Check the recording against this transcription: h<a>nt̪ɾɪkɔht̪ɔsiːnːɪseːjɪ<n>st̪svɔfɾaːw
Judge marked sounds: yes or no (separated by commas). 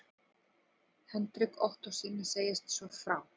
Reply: no, no